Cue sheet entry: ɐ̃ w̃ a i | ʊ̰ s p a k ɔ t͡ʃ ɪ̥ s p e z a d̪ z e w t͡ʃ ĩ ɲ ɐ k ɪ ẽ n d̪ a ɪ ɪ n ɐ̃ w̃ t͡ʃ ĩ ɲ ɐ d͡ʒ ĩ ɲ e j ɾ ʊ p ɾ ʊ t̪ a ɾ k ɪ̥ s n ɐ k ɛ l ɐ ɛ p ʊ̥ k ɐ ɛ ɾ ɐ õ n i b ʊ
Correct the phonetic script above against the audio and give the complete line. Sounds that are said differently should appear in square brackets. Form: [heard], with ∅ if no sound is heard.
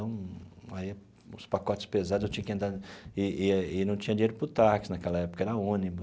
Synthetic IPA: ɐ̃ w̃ a i | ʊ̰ s p a k ɔ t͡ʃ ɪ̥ s p e z a d̪ z e w t͡ʃ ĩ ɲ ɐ k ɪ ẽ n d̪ a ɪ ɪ n ɐ̃ w̃ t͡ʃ ĩ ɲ ɐ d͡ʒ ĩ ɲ e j ɾ ʊ p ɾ ʊ t̪ a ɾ k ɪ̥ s n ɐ k ɛ l ɐ ɛ p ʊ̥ k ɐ ɛ ɾ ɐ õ n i b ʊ